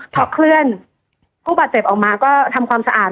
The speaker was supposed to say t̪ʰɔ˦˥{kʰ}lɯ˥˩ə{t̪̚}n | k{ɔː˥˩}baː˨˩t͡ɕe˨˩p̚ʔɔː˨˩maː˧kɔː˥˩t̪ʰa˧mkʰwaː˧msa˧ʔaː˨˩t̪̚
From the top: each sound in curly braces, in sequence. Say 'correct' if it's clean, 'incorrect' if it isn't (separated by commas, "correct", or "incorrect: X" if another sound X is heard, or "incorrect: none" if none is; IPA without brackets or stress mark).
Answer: correct, incorrect: none, incorrect: uː˥˩